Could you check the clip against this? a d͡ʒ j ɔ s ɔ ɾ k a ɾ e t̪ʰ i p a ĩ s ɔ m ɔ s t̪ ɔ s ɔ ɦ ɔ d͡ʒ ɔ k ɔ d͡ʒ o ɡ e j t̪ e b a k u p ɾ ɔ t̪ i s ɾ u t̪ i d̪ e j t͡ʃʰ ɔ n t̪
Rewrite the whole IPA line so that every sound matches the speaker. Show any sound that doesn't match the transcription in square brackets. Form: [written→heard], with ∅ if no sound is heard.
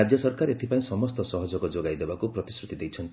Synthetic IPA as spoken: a d͡ʒ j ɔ s ɔ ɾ k a ɾ e t̪ʰ i p a ĩ s ɔ m ɔ s t̪ ɔ s ɔ ɦ ɔ d͡ʒ ɔ k ɔ d͡ʒ o ɡ [e→a] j [t̪→d̪] e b a k u p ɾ ɔ t̪ i s ɾ u t̪ i d̪ e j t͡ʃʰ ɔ n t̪

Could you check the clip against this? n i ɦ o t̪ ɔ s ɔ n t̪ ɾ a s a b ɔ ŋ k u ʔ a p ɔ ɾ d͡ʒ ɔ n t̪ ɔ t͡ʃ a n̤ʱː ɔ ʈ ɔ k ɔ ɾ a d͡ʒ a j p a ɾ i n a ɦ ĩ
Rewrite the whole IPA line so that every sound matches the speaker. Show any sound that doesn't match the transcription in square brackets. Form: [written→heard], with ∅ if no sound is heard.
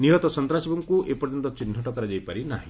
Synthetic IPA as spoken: n i ɦ [o→ɔ] t̪ ɔ s ɔ n t̪ ɾ a s [a→i] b ɔ ŋ k u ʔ [a→e] p ɔ ɾ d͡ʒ ɔ n t̪ ɔ t͡ʃ [a→i] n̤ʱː ɔ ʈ ɔ k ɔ ɾ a d͡ʒ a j p a ɾ i n a ɦ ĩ

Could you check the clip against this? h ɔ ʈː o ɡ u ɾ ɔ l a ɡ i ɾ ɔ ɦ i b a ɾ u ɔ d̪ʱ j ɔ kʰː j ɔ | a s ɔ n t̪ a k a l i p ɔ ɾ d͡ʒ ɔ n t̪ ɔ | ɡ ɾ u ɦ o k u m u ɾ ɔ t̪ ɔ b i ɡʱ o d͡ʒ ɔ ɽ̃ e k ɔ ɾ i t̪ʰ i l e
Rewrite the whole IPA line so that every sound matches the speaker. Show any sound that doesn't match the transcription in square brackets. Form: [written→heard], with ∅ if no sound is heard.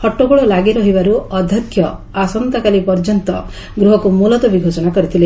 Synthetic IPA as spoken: h ɔ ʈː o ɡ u [ɾ→ɭ] ɔ l a ɡ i ɾ ɔ ɦ i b a ɾ u ɔ d̪ʱ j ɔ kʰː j ɔ | a s ɔ n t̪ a k a l i p ɔ ɾ d͡ʒ ɔ n t̪ ɔ | ɡ ɾ u ɦ [o→ɔ] k u m u [ɾ→l] ɔ t̪ ɔ b i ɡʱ o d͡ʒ ɔ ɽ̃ [e→a] k ɔ ɾ i t̪ʰ i l e

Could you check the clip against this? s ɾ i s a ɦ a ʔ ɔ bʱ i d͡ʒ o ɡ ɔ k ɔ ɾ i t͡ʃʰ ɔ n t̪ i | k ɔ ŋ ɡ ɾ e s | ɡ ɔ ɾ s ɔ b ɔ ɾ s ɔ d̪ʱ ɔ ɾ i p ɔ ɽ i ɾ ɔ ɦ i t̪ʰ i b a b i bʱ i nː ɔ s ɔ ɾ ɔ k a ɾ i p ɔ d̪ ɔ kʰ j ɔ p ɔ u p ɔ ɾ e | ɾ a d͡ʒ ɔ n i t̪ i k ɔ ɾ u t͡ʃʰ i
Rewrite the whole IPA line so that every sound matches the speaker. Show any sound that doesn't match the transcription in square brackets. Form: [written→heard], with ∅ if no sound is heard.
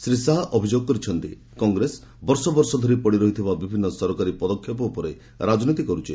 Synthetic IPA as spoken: s ɾ i s a ɦ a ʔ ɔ bʱ i d͡ʒ o ɡ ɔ k ɔ ɾ i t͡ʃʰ ɔ n t̪ i | k ɔ ŋ ɡ ɾ e s | [ɡ→b] ɔ ɾ s ɔ b ɔ ɾ s ɔ d̪ʱ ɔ ɾ i p ɔ ɽ i ɾ ɔ ɦ i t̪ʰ i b a b i bʱ i nː ɔ s ɔ ɾ ɔ k a ɾ i p ɔ d̪ ɔ kʰ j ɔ p ɔ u p ɔ ɾ e | ɾ a d͡ʒ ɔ n i t̪ i k ɔ ɾ u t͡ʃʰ i

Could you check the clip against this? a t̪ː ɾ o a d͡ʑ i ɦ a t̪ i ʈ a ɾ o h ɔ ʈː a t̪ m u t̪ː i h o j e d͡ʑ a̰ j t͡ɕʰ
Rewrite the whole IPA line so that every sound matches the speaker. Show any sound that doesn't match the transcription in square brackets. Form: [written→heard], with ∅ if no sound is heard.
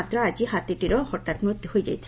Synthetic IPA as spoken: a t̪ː ɾ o a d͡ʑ i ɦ a t̪ i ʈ [a→i] ɾ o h ɔ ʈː a t̪ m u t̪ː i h o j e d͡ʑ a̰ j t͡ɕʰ

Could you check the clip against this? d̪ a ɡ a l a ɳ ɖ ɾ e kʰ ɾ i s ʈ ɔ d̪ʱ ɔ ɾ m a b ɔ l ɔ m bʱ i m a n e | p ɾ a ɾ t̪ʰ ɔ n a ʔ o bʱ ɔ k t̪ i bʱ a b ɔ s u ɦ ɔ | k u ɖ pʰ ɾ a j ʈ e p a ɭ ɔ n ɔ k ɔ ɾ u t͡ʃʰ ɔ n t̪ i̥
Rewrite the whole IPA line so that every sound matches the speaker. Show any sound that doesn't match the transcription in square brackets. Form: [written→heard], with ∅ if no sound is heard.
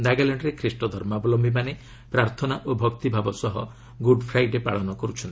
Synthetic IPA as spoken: d̪ a ɡ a l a ɳ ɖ ɾ e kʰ ɾ i s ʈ ɔ d̪ʱ ɔ ɾ m a b ɔ l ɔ m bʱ i m a n e | p ɾ a ɾ t̪ʰ ɔ n a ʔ o bʱ ɔ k t̪ i bʱ a b ɔ s [u→ɔ] ɦ ɔ | [k→ɡ] u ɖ pʰ ɾ a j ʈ e p a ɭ ɔ n ɔ k ɔ ɾ u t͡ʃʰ ɔ n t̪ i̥

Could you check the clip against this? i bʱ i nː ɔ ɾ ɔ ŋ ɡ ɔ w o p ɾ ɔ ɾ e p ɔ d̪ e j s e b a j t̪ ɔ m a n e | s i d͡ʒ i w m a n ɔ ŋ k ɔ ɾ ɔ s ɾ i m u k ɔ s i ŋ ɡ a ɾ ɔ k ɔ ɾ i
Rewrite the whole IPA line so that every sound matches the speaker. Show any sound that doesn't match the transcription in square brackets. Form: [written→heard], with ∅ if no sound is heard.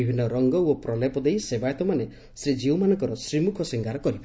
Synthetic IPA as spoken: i bʱ i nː ɔ ɾ ɔ ŋ ɡ ɔ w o p ɾ ɔ [ɾ→l] e p ɔ d̪ e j s e b a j t̪ ɔ m a n e | s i d͡ʒ i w m a n ɔ ŋ k ɔ ɾ ɔ s ɾ i m u [k→kʰ] ɔ s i ŋ ɡ a ɾ ɔ k ɔ ɾ i

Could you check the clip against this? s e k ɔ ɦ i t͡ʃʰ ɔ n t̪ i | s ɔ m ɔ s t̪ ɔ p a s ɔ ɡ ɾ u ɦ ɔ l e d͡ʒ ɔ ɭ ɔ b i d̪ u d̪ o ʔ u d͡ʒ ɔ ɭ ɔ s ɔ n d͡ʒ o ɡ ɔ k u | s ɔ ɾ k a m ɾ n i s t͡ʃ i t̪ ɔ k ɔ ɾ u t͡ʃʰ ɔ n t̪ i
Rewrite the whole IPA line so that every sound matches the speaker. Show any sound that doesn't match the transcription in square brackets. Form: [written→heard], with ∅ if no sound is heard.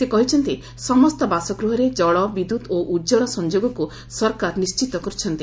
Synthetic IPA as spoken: s e k ɔ ɦ i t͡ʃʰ ɔ n t̪ i | s ɔ m ɔ s t̪ ɔ [p→b] a s ɔ ɡ ɾ u ɦ ɔ [l→ɾ] e d͡ʒ ɔ ɭ ɔ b i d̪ u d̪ o ʔ u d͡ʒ ɔ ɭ ɔ s ɔ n d͡ʒ o ɡ ɔ k u | s ɔ ɾ k a [m→∅] ɾ n i s t͡ʃ i t̪ ɔ k ɔ ɾ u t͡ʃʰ ɔ n t̪ i

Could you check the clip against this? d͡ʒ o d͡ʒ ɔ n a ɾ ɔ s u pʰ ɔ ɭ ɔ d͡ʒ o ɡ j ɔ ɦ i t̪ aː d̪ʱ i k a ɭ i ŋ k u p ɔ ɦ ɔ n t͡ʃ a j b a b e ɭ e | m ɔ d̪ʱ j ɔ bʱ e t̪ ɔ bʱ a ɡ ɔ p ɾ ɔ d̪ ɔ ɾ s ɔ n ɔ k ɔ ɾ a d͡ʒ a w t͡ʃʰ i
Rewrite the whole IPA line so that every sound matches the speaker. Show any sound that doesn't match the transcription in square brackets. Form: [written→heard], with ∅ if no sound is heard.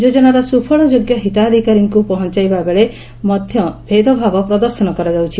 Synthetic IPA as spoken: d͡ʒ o d͡ʒ ɔ n a ɾ ɔ s u pʰ ɔ ɭ ɔ d͡ʒ o ɡ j ɔ ɦ i t̪ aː d̪ʱ i k a [ɭ→ɾ] i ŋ k u p ɔ ɦ ɔ n t͡ʃ a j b a b e ɭ e | m ɔ d̪ʱ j ɔ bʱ e [t̪→d̪] ɔ bʱ a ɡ ɔ p ɾ ɔ d̪ ɔ ɾ s ɔ n ɔ k ɔ ɾ a d͡ʒ a w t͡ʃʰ i

